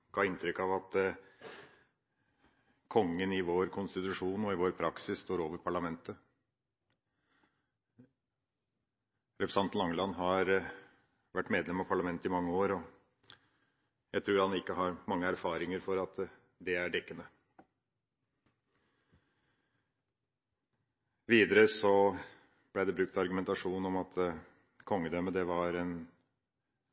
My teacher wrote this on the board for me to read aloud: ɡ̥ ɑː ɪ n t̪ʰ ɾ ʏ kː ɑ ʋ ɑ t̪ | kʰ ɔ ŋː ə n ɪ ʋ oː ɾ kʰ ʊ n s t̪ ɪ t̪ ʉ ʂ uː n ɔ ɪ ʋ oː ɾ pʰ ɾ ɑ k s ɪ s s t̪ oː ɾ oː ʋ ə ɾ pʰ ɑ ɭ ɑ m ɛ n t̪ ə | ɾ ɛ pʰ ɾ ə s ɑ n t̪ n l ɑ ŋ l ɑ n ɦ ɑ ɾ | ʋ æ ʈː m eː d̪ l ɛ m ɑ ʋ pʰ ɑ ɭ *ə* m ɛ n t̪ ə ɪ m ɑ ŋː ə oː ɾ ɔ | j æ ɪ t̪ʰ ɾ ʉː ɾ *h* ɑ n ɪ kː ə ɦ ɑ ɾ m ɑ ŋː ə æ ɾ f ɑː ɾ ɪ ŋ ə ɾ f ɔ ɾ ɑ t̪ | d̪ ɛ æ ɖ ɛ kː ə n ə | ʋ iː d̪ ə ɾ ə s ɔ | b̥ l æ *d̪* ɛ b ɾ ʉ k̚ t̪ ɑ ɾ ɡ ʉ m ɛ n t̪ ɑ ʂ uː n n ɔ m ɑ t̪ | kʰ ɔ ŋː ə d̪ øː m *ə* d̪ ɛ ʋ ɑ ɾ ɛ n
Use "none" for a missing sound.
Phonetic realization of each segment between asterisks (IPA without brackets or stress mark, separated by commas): ɑ, h, d̪, ə